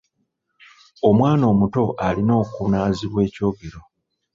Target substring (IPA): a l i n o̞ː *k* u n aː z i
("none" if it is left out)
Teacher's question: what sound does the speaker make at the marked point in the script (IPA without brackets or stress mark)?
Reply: k